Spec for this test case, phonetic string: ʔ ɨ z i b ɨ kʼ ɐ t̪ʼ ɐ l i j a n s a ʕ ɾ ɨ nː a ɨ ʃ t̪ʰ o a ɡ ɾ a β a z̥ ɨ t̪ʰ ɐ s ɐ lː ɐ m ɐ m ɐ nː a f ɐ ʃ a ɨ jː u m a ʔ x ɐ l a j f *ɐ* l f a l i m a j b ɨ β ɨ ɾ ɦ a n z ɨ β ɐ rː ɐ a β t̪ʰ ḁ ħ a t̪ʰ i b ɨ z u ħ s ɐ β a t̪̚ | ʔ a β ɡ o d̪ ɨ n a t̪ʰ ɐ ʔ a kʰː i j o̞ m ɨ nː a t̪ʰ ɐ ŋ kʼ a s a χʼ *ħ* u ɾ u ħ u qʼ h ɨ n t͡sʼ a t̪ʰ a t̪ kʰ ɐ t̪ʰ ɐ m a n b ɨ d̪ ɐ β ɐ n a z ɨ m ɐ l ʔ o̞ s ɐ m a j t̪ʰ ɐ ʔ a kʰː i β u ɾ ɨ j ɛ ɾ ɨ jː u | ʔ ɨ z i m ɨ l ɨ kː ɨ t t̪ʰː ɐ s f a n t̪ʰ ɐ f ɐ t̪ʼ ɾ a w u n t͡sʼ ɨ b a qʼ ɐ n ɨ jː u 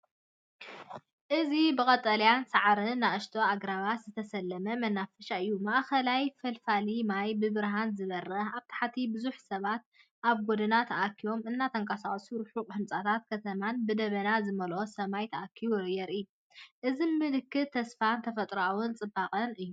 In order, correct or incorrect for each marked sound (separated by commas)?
correct, incorrect